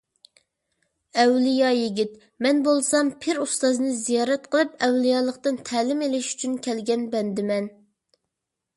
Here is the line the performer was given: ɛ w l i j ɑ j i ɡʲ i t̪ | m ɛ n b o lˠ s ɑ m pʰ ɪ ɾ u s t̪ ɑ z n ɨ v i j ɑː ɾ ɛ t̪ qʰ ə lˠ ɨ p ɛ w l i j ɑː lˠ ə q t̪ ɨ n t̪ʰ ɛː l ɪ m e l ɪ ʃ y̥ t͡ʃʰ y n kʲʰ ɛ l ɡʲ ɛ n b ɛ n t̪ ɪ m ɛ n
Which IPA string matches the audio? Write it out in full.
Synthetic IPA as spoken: ɛ w l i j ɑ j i ɡʲ i t̪ | m ɛ n b o lˠ s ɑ m pʰ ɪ ɾ u s t̪ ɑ z n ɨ z i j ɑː ɾ ɛ t̪ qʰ ə lˠ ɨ p ɛ w l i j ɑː lˠ ə q t̪ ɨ n t̪ʰ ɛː l ɪ m e l ɪ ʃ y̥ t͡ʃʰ y n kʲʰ ɛ l ɡʲ ɛ n b ɛ n d̪ ɪ m ɛ n